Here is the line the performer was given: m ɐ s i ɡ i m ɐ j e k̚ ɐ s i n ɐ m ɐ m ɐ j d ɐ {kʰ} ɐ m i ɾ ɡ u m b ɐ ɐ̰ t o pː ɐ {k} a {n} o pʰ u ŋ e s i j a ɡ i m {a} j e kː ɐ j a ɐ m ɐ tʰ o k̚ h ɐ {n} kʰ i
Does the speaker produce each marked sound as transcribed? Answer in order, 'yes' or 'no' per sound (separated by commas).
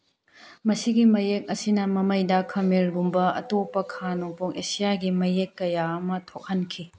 yes, no, yes, no, yes